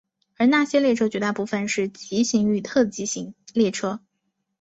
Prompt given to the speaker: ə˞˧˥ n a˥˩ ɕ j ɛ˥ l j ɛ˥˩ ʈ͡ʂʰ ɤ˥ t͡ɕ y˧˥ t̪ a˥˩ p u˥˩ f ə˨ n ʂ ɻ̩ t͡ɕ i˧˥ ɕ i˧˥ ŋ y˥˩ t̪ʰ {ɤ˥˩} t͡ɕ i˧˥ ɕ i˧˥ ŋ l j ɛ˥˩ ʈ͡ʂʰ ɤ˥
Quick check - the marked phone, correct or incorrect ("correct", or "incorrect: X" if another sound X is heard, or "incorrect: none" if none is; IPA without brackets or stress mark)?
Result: correct